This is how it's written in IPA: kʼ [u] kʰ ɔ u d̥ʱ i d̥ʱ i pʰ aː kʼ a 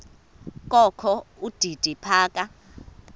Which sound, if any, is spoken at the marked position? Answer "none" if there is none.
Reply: ɔ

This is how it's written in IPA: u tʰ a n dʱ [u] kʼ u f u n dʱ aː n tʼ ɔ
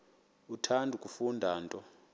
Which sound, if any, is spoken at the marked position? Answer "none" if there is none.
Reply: u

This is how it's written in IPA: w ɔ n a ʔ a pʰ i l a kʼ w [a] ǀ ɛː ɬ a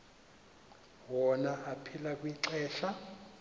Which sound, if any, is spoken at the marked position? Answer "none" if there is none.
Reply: i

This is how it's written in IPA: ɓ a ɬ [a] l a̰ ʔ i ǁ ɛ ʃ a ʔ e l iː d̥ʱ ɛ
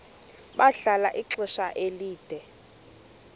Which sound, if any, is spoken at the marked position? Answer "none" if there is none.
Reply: a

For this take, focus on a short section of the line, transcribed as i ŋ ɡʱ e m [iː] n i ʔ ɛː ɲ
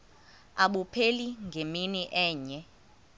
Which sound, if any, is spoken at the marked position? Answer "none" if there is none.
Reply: i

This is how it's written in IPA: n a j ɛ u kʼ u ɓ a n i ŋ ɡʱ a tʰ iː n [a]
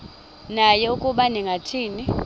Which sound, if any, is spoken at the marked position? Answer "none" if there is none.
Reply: i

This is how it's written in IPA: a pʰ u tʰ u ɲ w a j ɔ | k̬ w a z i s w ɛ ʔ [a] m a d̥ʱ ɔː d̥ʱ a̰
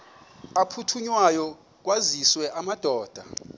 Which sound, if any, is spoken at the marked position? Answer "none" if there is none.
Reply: a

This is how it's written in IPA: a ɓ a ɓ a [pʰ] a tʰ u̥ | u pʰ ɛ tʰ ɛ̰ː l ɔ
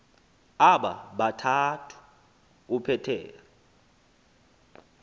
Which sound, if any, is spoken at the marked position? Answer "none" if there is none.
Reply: tʰ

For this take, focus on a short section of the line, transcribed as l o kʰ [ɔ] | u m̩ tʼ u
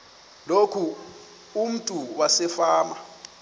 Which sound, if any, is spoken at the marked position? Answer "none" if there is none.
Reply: u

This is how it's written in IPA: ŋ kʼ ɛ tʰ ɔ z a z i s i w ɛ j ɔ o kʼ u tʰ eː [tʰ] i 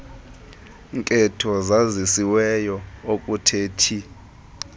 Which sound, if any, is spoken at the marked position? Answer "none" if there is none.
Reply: tʰ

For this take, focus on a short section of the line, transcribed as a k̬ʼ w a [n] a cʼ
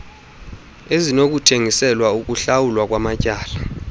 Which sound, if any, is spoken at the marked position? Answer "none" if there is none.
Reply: m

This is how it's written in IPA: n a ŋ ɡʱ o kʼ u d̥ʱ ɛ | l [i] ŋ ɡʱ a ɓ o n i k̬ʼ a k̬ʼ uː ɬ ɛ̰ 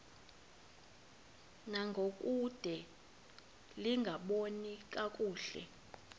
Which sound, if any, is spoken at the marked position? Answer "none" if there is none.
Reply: i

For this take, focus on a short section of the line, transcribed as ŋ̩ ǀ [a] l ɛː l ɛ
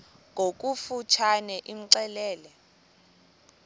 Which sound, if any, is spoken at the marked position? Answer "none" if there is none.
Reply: ɛ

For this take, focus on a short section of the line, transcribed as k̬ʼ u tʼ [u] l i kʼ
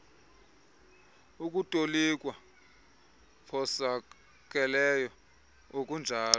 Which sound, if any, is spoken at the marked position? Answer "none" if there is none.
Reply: o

